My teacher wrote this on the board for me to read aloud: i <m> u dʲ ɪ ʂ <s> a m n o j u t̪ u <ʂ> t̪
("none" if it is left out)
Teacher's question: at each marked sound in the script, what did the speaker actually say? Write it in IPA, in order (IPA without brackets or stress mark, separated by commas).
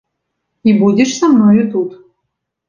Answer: b, s, none